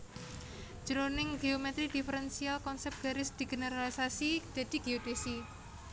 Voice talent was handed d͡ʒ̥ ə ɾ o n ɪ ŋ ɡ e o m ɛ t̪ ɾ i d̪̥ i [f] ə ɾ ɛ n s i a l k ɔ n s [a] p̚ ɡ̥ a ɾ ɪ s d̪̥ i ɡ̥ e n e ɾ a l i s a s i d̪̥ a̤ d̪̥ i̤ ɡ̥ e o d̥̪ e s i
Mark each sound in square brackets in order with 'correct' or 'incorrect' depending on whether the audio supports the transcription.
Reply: correct, incorrect: ɛ

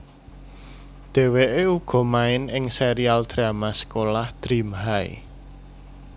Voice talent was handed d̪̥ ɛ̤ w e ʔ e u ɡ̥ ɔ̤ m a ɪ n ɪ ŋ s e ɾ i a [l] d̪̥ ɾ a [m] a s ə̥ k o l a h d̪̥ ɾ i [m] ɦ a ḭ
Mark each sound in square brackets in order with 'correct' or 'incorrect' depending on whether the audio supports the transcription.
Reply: correct, correct, correct

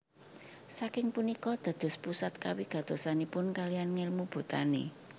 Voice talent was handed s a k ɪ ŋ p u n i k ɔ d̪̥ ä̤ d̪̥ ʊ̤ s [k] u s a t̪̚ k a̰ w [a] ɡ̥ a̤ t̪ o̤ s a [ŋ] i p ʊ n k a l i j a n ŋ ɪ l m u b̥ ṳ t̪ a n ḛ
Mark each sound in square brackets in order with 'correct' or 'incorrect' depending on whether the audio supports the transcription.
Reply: incorrect: p, incorrect: i, incorrect: n

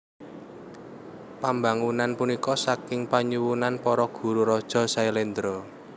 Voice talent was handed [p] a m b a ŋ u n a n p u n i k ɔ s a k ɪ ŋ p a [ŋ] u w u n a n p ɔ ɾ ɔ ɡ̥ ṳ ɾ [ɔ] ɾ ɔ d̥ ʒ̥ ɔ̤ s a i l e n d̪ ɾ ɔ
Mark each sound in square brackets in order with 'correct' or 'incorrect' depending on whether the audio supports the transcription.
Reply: correct, incorrect: ɲ, incorrect: u

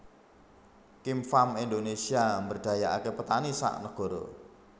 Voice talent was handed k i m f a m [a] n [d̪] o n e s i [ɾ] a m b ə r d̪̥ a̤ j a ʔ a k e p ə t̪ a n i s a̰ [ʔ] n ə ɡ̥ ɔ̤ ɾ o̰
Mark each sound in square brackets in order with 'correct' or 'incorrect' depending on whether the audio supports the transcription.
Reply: incorrect: i, correct, incorrect: none, correct

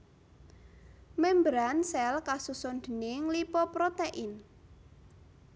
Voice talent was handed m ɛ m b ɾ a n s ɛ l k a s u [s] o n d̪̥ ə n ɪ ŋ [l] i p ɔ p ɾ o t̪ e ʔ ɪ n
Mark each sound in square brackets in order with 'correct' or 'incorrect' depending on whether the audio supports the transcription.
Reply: correct, correct

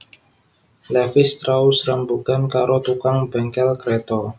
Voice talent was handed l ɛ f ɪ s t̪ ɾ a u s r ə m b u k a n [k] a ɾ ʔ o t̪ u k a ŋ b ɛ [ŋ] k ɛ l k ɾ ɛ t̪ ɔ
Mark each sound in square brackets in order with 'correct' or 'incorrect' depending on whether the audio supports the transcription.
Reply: correct, correct

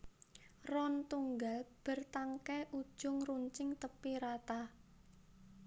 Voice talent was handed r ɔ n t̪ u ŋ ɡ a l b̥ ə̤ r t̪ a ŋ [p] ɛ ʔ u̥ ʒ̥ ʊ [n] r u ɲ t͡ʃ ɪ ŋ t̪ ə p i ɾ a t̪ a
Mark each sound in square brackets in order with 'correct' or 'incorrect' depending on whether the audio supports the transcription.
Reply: incorrect: k, incorrect: ŋ

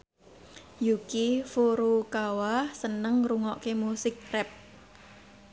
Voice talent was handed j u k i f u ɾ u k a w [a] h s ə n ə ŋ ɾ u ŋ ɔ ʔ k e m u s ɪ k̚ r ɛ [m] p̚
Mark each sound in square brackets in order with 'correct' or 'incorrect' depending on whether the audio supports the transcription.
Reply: correct, incorrect: none

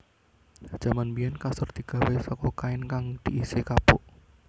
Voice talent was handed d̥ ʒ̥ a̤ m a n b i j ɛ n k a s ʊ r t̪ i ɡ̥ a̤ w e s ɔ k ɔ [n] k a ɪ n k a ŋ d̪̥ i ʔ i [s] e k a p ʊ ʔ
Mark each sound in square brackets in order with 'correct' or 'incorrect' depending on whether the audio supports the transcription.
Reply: incorrect: none, correct

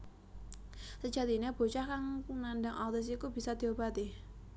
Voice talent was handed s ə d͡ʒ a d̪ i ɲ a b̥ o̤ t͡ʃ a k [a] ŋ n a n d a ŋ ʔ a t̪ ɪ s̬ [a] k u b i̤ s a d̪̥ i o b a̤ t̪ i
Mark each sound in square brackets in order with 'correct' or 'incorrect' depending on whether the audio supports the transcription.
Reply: correct, incorrect: i

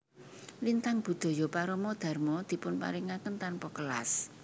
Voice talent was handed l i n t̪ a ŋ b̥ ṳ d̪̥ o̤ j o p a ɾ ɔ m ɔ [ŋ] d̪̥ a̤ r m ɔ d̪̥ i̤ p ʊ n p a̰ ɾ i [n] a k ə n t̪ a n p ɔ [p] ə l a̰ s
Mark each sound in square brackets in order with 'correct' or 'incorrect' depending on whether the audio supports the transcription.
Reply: incorrect: none, incorrect: ŋ, incorrect: k

